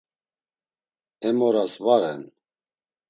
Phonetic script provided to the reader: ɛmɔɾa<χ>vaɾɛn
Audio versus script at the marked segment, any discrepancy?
yes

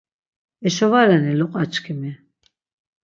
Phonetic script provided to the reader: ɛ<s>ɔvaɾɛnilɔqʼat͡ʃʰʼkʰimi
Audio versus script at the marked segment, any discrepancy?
yes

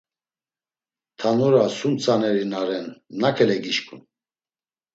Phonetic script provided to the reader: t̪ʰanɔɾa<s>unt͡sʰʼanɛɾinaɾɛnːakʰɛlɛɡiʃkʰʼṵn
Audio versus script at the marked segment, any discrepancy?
no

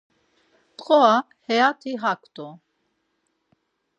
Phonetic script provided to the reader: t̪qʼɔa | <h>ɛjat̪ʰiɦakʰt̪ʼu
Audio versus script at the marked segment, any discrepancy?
no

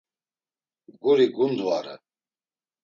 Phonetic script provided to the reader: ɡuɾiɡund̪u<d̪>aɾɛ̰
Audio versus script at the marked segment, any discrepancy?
yes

